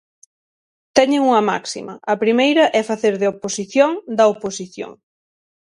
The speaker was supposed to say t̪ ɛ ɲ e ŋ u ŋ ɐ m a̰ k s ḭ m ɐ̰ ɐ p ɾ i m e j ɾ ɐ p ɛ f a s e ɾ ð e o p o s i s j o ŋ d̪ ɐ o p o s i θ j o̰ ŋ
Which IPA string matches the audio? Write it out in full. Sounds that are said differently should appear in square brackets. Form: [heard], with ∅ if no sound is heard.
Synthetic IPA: t̪ ɛ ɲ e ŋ u ŋ ɐ m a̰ k s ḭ m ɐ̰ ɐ p ɾ i m e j ɾ ɐ [ʔ] ɛ f a [θ] e ɾ ð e o p o s i [θ] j o ŋ d̪ ɐ o p o s i θ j o̰ ŋ

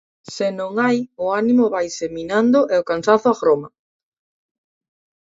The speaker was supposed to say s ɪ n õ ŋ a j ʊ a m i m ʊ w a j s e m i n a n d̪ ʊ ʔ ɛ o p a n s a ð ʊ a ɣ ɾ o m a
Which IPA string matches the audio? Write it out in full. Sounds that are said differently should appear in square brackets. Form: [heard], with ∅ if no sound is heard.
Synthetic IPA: s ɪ n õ ŋ a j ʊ a [n] i m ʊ [β] a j s e m i n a n d̪ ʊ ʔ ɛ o [k] a n s a [θ] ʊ a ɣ ɾ o m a

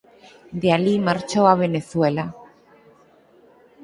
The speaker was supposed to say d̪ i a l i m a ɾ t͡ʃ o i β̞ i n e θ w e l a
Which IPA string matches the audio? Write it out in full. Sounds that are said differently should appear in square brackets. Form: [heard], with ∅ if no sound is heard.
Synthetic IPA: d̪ [e] a l i m a ɾ t͡ʃ o [a] β̞ [e] n e θ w e l a

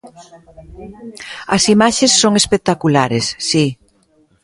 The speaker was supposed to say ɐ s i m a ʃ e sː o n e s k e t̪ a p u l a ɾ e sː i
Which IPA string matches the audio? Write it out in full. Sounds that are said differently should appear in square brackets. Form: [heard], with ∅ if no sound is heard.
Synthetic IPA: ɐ s i m a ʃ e sː o [ŋ] e s [p] e t̪ a [k] u l a ɾ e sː i

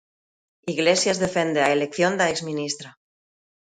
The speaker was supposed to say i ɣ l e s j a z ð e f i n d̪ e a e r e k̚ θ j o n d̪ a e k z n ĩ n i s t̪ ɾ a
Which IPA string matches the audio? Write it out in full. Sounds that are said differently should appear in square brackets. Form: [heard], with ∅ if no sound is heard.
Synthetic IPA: i ɣ l e s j a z ð e f [e] n d̪ e a e [l] e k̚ θ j o n d̪ a e k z [m] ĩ n i s t̪ ɾ a

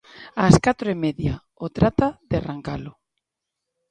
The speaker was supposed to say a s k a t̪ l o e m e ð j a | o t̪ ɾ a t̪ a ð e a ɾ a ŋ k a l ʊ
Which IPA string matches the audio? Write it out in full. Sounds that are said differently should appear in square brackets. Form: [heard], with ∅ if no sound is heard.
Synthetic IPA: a s k a t̪ [ɾ] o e m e ð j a | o t̪ ɾ a t̪ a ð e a [r] a ŋ k a l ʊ

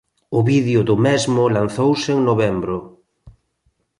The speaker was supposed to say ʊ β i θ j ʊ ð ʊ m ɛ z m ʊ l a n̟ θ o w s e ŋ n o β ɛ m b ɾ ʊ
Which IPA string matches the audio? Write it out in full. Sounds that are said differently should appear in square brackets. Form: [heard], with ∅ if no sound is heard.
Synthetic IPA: ʊ β i [ð] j ʊ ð ʊ m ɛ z m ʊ l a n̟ θ o w s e ŋ n o β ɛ m b ɾ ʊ

